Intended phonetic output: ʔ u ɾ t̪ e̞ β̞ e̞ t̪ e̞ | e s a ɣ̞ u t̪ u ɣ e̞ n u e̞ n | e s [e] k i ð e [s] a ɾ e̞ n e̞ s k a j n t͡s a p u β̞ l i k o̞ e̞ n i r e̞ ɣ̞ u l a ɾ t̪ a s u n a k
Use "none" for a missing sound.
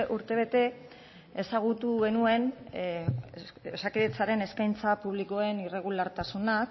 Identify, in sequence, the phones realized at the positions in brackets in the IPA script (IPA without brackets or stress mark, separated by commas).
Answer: a, t͡s